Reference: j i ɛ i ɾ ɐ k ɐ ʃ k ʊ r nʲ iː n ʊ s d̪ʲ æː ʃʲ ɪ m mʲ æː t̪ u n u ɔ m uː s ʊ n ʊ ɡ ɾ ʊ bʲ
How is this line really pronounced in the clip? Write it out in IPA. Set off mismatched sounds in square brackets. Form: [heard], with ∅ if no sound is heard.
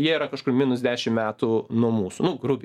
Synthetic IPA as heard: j i ɛ i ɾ ɐ k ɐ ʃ k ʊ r [mʲ] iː n ʊ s d̪ʲ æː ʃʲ ɪ m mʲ æː t̪ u n u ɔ m uː s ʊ n ʊ ɡ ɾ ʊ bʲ